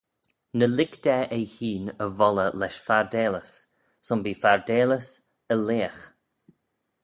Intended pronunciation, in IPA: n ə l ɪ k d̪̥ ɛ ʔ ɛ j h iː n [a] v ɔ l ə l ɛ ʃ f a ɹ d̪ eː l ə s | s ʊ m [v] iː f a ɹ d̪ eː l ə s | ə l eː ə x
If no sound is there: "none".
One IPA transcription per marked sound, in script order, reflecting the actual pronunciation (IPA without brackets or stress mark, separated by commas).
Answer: ə, b